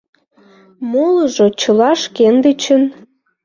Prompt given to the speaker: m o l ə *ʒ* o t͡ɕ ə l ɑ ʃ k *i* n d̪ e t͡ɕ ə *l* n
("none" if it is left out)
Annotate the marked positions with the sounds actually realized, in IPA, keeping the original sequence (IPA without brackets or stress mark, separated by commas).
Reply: ʒ, e, none